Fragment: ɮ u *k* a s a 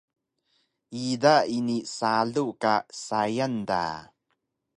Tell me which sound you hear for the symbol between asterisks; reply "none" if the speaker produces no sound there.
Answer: k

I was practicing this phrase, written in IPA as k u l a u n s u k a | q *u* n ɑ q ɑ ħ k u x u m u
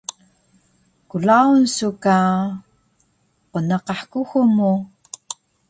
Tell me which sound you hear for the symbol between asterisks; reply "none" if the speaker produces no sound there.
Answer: o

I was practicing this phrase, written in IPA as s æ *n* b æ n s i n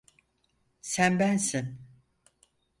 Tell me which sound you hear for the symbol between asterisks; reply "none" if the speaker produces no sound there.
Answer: n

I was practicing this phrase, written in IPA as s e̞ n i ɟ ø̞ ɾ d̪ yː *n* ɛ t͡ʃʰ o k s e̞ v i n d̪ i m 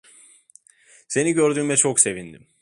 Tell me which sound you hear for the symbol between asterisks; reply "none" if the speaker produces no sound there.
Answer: m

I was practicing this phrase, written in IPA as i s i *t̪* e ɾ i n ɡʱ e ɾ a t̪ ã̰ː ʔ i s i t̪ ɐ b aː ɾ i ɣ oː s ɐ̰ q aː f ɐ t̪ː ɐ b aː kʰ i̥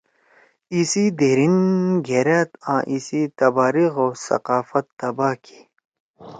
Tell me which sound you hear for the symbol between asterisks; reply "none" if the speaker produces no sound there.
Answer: d̪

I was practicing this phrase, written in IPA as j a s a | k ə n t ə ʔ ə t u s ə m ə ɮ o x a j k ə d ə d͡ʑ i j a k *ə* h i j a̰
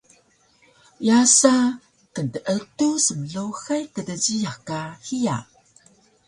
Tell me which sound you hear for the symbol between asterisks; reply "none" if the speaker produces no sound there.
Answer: a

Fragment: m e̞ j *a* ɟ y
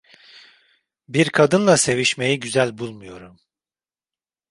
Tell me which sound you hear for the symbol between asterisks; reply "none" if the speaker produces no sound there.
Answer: i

